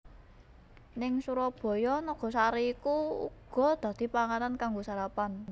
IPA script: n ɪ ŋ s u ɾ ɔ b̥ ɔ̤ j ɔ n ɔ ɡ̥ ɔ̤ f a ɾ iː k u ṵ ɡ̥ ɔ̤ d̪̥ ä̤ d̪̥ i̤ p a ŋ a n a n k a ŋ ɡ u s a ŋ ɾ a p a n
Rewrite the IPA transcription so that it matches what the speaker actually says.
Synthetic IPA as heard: n ɪ ŋ s u ɾ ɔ b̥ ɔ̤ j ɔ n ɔ ɡ̥ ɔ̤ s a ɾ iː k u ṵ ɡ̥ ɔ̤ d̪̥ ä̤ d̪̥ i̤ p a ŋ a n a n k a ŋ ɡ o s a ɾ a p a n

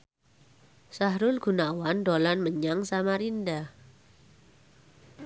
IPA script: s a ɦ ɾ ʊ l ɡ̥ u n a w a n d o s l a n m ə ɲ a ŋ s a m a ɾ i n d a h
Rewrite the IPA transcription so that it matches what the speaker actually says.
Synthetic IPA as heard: s a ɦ ɾ ʊ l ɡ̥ u n a w a n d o l a n m ə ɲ a ŋ s a m a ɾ i n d a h

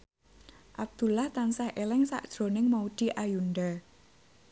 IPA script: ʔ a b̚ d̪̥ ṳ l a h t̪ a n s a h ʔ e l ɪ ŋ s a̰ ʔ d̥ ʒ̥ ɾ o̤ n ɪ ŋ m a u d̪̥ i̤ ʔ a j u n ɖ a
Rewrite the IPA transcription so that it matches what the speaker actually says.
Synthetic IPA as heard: ʔ a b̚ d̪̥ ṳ l a h t̪ a n s a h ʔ e l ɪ ŋ s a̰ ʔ d̥ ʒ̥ ɾ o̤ n ɪ ŋ m a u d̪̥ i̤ ʔ a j u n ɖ a

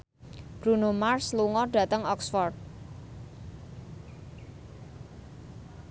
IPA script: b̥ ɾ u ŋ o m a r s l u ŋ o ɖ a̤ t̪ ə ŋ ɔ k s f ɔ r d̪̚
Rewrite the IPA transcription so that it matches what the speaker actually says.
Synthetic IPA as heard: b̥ ɾ u n o m a r s l u ŋ ɔ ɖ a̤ t̪ ə ŋ ɔ k s f ɔ r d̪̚

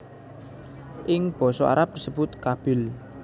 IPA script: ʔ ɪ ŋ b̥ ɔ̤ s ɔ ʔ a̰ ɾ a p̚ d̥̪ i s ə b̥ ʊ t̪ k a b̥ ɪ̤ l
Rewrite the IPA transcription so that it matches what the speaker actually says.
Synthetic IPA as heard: ʔ ɪ ŋ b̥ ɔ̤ s ɔ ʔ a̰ ɾ a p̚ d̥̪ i s ə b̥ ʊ t̪ k a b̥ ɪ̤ l

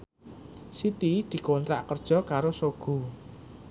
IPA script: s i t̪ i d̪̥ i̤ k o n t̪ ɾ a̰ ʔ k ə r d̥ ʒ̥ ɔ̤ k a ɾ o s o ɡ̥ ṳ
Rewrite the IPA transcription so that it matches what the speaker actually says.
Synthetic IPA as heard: s i t̪ i d̪̥ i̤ k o n t̪ ɾ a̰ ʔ k ə r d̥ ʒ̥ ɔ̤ k a ɾ o s o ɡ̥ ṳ

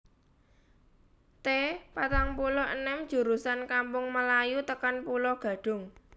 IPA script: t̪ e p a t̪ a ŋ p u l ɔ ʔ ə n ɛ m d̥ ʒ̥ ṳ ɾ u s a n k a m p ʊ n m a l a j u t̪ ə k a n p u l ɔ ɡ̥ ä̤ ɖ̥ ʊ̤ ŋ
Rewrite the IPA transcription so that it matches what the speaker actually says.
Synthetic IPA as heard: t̪ e p a t̪ a ŋ p u l ɔ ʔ ə n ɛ m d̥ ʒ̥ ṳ ɾ u s a n k a m p ʊ ŋ m ə l a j u t̪ ə k a n p u l ɔ ɡ̥ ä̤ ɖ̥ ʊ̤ ŋ

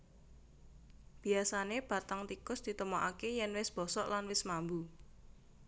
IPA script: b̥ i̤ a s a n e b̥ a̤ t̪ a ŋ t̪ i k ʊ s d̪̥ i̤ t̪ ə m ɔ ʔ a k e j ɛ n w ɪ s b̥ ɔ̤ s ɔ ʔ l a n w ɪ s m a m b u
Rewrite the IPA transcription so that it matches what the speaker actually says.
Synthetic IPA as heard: b̥ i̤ a s a n e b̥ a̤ t̪ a ŋ t̪ i k ʊ s d̪̥ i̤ t̪ ə m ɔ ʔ a k e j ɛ n w ɪ s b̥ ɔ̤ s ɔ ʔ l a n w ɪ s m a m b u

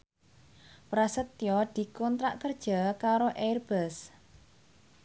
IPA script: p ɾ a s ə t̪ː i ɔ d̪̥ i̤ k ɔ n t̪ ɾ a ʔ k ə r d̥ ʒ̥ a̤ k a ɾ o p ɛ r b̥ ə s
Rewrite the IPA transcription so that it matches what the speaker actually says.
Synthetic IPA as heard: p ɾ a s ə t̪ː j ɔ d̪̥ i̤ k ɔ n t̪ ɾ a ʔ k ə r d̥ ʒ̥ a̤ k a ɾ o ʔ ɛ r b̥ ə s

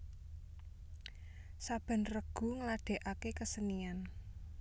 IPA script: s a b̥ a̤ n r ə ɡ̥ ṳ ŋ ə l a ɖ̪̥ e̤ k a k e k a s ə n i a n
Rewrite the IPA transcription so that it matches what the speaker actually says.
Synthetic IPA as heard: s a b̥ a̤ n r ə ɡ̥ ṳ ŋ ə l a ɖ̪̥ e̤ ʔ a k e k ə s ə n i a n

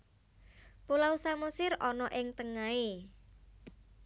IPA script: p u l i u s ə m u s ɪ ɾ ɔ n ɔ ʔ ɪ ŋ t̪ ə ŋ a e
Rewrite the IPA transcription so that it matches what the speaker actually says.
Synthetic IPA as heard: p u l a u s a m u s ɪ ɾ ɔ n ɔ ʔ ɪ ŋ t̪ ə ŋ a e

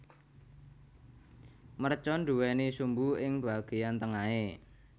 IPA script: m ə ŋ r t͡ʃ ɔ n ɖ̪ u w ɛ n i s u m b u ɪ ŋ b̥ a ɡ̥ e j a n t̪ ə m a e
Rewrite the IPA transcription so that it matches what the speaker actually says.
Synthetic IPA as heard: m ə r t͡ʃ ɔ n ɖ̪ u w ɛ n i s u m b u ɪ ŋ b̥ a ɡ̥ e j a n t̪ ə ŋ a e

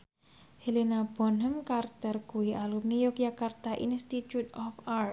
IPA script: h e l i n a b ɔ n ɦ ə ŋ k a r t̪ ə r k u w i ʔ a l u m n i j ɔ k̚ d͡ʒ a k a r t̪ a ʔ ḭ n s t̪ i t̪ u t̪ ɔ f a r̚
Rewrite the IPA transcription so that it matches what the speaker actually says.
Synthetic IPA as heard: h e l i n a b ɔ n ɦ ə m k a r t̪ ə r k u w i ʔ a l u m n i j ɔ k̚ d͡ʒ a k a r t̪ a ʔ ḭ n s t̪ i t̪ u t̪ ɔ f a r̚

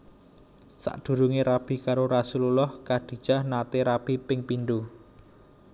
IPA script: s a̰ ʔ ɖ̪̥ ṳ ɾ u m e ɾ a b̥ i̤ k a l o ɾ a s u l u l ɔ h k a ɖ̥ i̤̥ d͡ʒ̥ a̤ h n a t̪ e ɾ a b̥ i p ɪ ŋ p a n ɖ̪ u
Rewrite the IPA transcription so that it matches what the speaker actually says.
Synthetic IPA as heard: s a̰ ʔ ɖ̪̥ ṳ ɾ u ŋ e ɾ a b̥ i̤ k a ɾ o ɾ a s u l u l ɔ h k a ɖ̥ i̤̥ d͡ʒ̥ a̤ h n a t̪ e ɾ a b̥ i p ɪ ŋ p i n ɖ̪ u

